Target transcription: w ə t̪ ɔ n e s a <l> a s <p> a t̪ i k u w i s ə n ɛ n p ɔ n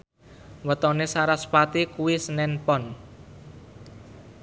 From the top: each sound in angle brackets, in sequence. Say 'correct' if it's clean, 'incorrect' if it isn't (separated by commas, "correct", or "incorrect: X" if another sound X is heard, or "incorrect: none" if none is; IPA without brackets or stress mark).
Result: incorrect: ɾ, correct